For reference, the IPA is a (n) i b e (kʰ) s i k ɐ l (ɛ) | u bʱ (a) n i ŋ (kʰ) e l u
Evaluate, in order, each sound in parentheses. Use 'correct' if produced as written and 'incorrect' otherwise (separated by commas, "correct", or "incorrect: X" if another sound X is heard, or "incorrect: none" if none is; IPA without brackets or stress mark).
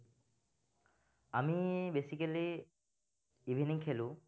incorrect: m, incorrect: none, incorrect: i, incorrect: i, correct